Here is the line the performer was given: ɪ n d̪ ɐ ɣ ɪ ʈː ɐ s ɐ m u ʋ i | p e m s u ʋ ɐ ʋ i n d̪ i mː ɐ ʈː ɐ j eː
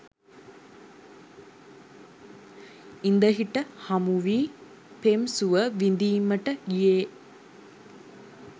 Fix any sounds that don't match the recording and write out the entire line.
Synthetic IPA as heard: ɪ n d̪ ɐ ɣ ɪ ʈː ɐ h ɐ m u ʋ i | p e m s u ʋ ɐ ʋ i n d̪ i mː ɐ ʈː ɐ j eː